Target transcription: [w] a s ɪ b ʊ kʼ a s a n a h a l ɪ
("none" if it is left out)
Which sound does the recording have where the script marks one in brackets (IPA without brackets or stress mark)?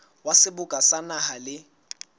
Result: w